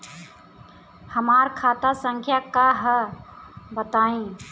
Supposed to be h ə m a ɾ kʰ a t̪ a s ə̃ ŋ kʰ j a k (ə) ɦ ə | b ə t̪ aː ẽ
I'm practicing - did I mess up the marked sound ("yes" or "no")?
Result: yes